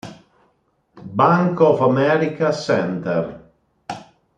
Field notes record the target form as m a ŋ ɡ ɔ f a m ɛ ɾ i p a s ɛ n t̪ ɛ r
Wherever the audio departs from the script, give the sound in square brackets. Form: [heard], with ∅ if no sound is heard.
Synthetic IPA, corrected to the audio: [b] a ŋ [k] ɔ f a m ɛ ɾ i [k] a s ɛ n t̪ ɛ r